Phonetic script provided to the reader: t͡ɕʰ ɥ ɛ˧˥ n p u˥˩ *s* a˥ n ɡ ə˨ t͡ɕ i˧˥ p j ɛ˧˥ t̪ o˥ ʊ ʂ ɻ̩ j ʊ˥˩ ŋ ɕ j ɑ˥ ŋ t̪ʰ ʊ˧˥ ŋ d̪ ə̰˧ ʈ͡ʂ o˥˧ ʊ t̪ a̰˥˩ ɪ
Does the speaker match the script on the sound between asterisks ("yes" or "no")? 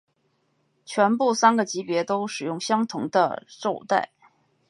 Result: yes